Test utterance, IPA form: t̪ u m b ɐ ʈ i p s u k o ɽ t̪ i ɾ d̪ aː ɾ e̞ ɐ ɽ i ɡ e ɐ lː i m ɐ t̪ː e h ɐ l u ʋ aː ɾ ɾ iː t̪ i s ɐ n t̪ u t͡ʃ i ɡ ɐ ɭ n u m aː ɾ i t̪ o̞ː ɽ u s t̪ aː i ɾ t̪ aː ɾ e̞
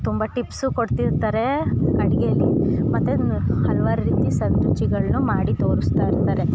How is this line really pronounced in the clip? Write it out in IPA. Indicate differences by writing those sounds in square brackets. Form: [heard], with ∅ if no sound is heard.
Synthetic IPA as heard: t̪ u m b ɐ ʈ i p s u k o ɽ t̪ i ɾ [t̪] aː ɾ e̞ ɐ ɽ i ɡ e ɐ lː i m ɐ t̪ː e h ɐ l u ʋ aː ɾ ɾ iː t̪ i s ɐ n t̪ u t͡ʃ i ɡ ɐ ɭ n u m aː [ɽ] i t̪ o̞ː [ɾ] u s t̪ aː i ɾ t̪ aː ɾ e̞